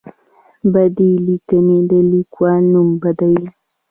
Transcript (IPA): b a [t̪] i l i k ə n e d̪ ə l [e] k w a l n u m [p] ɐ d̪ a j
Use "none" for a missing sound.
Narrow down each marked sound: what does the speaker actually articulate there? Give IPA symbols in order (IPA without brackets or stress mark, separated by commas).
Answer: d̪, i, b